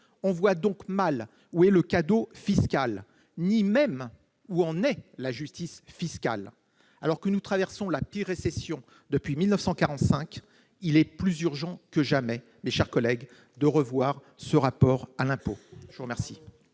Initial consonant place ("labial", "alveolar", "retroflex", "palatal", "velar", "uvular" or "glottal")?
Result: labial